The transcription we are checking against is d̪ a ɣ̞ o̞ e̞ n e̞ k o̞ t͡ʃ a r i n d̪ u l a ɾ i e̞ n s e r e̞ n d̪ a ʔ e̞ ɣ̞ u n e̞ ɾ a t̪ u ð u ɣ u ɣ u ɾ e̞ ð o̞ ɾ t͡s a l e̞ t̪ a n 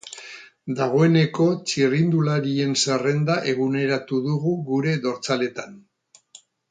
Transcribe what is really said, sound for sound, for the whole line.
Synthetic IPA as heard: d̪ a ɣ̞ o̞ e̞ n e̞ k o̞ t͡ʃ i r i n d̪ u l a ɾ i e̞ n s e r e̞ n d̪ a ʔ e̞ ɣ̞ u n e̞ ɾ a t̪ u ð u ɣ u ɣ u ɾ e̞ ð o̞ ɾ t͡s a l e̞ t̪ a n